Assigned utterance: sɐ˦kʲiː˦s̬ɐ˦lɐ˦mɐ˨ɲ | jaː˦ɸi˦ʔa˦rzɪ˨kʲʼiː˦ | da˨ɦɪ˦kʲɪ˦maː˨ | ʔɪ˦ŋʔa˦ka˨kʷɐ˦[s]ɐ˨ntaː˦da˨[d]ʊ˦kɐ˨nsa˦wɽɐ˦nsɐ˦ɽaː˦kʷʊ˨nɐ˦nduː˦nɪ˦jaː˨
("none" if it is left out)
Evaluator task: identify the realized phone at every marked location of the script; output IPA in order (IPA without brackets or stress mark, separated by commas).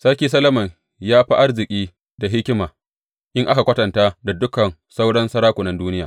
t, d